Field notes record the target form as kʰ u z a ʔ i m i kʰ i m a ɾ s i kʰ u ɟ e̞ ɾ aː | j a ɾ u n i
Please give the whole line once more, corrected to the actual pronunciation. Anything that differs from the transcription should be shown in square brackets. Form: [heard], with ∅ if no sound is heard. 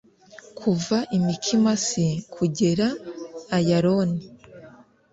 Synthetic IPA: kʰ u [v] a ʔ i m i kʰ i m a [∅] s i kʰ u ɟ e̞ ɾ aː | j a ɾ [o] n i